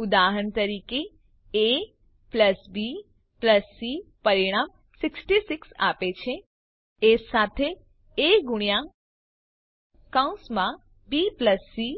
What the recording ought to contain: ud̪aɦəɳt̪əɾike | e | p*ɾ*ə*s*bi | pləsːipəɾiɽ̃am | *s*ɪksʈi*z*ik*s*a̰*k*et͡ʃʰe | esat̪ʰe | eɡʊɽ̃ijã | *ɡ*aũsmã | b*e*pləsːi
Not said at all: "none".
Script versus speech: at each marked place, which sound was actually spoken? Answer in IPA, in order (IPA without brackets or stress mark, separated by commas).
l, s, s, s, s, p, k, i